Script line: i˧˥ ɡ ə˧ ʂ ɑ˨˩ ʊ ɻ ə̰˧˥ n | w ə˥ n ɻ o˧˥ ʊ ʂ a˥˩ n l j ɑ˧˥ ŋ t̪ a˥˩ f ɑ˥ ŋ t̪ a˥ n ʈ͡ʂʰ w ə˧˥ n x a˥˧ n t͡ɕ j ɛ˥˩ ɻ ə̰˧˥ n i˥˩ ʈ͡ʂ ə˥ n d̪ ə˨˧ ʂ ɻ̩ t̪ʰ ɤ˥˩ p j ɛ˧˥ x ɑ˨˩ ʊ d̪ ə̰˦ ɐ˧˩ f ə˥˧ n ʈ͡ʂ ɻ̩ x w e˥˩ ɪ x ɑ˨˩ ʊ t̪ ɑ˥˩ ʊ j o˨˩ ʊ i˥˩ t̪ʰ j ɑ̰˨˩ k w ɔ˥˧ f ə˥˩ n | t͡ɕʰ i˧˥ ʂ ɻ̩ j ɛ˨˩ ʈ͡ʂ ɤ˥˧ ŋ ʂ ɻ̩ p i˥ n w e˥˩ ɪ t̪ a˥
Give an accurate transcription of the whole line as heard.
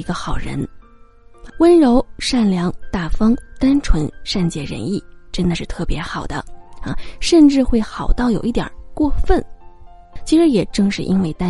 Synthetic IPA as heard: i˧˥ ɡ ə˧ x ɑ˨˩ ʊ ɻ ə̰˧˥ n | w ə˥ n ɻ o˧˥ ʊ ʂ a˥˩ n l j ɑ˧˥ ŋ t̪ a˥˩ f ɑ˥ ŋ t̪ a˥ n ʈ͡ʂʰ w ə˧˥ n ʂ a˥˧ n t͡ɕ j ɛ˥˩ ɻ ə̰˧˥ n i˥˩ ʈ͡ʂ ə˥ n d̪ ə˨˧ ʂ ɻ̩ t̪ʰ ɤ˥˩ p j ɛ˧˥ x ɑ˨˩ ʊ d̪ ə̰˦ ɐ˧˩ ʂ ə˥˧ n ʈ͡ʂ ɻ̩ x w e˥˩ ɪ x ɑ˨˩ ʊ t̪ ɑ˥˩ ʊ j o˨˩ ʊ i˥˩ t̪ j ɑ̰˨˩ k w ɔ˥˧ f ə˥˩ n | t͡ɕʰ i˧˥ ʂ ɻ̩ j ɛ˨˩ ʈ͡ʂ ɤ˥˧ ŋ ʂ ɻ̩ ʔ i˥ n w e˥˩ ɪ t̪ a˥